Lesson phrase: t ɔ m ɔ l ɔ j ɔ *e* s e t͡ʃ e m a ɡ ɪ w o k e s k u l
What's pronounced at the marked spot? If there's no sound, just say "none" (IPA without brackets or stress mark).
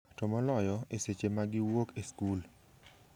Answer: e